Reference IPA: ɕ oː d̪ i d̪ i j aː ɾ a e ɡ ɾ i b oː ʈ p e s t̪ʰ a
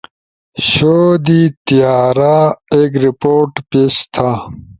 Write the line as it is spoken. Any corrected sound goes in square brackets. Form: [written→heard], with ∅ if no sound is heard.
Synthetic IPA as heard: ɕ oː d̪ i [d̪→t̪] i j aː ɾ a e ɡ ɾ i [b→p] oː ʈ p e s t̪ʰ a